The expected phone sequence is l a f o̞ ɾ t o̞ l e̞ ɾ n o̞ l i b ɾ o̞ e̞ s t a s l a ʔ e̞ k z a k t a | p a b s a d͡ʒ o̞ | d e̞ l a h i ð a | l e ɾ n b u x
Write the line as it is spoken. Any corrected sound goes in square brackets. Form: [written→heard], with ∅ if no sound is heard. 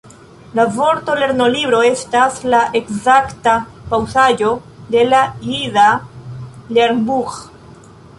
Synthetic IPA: l a [f→v] o̞ ɾ t o̞ l e̞ ɾ n o̞ l i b ɾ o̞ e̞ s t a s l a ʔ e̞ k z a k t a | p a [b→w] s a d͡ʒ o̞ | d e̞ l a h i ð a | l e ɾ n b u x